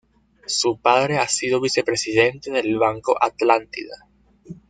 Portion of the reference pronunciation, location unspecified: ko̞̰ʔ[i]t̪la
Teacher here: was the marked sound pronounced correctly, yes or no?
no